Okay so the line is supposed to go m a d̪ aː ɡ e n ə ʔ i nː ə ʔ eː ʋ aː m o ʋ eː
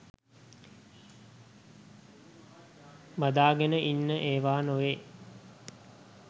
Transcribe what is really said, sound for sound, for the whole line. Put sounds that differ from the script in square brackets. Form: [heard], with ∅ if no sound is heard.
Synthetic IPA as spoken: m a d̪ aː ɡ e n ə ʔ i nː ə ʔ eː ʋ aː [n] o ʋ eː